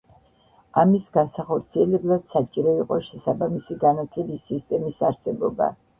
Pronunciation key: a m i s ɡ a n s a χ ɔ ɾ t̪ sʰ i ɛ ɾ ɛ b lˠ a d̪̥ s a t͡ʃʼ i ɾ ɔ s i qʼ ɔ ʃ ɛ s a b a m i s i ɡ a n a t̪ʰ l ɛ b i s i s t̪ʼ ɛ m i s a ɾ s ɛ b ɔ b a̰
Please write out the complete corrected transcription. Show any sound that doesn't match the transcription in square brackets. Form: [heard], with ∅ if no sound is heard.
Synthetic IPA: a m i s ɡ a n s a χ ɔ ɾ t̪ sʰ i ɛ [l] ɛ b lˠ a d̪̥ s a t͡ʃʼ i ɾ ɔ [∅] i qʼ ɔ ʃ ɛ s a b a m i s i ɡ a n a t̪ʰ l ɛ b i s i s t̪ʼ ɛ m i s a ɾ s ɛ b ɔ b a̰